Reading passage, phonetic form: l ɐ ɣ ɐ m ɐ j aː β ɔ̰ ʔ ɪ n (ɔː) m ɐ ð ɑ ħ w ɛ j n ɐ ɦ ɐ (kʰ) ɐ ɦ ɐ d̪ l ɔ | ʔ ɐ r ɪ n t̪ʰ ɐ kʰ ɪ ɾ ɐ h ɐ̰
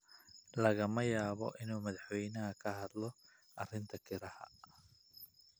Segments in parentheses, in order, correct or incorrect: incorrect, correct

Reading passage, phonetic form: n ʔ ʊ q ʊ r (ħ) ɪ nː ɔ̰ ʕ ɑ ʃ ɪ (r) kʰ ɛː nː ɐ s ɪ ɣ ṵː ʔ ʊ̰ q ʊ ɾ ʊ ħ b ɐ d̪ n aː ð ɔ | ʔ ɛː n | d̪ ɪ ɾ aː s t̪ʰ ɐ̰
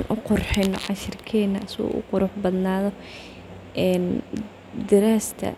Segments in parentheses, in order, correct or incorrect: correct, correct

